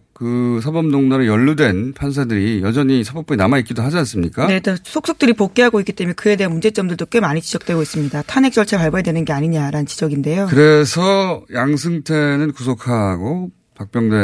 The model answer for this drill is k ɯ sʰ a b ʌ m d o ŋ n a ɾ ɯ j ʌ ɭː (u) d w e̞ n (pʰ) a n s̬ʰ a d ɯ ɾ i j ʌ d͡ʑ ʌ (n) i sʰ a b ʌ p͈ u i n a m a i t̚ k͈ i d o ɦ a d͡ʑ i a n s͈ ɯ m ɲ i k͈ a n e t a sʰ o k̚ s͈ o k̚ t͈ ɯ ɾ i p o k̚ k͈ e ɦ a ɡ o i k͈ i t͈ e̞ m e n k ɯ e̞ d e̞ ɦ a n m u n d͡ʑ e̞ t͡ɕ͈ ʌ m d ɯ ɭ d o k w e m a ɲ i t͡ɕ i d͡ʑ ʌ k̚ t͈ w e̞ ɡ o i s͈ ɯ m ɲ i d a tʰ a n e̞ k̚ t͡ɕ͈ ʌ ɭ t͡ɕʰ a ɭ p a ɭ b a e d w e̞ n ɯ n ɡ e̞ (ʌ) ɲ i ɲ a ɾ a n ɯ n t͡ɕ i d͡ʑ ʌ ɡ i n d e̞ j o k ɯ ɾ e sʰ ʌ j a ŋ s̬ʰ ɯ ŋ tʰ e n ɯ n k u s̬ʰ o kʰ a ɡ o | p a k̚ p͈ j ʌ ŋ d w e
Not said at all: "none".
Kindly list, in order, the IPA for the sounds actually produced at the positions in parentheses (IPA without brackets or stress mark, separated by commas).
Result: u, pʰ, ɲ, a